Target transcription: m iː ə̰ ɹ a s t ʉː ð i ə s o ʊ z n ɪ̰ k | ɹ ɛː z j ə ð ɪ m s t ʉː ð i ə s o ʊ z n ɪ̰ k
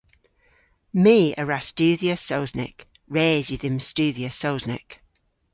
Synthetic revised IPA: m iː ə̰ ɹ a s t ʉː ð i ə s o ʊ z n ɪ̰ k | ɹ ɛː z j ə ð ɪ m s t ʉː ð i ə s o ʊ z n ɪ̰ k